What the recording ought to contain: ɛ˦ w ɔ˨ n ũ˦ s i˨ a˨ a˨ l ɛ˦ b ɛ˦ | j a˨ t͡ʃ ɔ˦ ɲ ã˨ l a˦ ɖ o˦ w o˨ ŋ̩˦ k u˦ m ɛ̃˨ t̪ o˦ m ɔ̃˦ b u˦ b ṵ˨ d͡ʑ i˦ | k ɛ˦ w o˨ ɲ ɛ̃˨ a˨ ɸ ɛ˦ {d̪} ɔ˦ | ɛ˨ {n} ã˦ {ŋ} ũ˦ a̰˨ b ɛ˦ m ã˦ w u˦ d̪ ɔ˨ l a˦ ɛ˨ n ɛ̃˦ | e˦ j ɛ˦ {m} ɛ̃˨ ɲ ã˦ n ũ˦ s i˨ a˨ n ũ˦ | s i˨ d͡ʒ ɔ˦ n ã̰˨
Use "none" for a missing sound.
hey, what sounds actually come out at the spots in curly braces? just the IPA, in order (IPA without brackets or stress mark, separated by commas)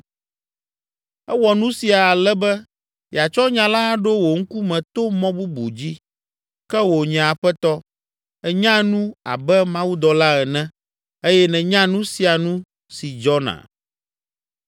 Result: t̪, ɲ, n, n